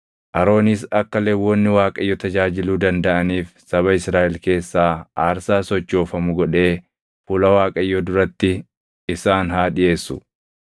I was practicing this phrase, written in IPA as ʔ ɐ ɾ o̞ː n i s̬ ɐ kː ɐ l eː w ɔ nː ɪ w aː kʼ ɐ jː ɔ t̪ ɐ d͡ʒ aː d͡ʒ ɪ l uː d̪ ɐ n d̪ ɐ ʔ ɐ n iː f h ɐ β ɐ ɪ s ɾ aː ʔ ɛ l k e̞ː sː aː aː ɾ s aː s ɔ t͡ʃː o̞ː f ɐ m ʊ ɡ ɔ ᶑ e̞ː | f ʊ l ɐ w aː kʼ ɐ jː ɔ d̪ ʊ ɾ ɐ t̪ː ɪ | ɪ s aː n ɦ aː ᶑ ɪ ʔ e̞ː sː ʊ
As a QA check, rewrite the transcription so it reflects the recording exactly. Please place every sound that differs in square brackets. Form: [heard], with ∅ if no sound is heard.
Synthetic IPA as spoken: ʔ ɐ ɾ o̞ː n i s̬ ɐ kː ɐ l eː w ɔ nː ɪ w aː kʼ ɐ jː ɔ t̪ ɐ d͡ʒ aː d͡ʒ ɪ l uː d̪ ɐ n d̪ ɐ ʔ ɐ n iː f [s] ɐ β ɐ ɪ s ɾ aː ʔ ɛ l k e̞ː sː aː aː ɾ s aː s ɔ t͡ʃː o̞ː f ɐ m ʊ ɡ ɔ ᶑ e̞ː | f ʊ l ɐ w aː kʼ ɐ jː ɔ d̪ ʊ ɾ ɐ t̪ː ɪ | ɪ s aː n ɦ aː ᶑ ɪ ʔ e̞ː sː ʊ